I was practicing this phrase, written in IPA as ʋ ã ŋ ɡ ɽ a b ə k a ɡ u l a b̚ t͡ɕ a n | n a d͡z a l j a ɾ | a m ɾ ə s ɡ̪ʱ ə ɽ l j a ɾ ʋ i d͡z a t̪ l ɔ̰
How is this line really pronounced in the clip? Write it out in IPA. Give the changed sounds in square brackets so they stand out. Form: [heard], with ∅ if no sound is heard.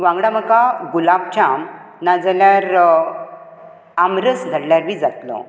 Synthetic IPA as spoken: ʋ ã ŋ ɡ ɽ a [m] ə k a ɡ u l a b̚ t͡ɕ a [m] | n a d͡z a l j a ɾ | a m ɾ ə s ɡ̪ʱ ə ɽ l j a ɾ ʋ i d͡z a t̪ l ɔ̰